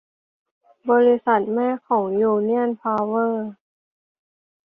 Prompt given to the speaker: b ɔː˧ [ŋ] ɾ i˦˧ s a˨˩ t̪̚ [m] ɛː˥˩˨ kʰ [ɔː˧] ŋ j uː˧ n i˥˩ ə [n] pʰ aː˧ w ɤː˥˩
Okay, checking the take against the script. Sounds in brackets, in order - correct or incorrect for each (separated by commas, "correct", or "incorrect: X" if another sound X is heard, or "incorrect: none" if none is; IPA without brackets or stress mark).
incorrect: none, correct, incorrect: ɔː˩˦, correct